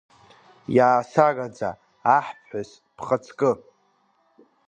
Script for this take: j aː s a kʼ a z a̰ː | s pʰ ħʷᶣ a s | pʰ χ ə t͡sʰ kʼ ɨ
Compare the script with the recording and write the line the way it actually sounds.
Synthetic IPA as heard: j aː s a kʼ a d͡z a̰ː | ħ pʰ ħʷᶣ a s | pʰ χ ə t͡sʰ kʼ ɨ